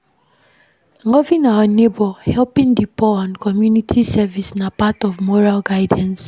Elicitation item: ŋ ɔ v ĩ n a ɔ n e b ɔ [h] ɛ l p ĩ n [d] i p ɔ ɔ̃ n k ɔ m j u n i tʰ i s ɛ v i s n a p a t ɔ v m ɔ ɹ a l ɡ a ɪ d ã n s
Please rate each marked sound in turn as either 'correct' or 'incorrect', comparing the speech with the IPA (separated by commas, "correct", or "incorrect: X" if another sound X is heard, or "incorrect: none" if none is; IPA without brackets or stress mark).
correct, correct